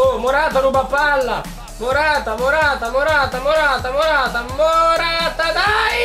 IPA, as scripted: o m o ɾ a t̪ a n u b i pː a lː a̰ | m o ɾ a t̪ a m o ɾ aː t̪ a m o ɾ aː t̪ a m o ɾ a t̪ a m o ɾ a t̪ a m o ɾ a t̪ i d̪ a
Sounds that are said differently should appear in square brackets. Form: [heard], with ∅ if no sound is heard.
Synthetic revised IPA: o m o ɾ a t̪ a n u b [a] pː a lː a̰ | m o ɾ a t̪ a m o ɾ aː t̪ a m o ɾ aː t̪ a m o ɾ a t̪ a m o ɾ a t̪ a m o ɾ a t̪ [a] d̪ a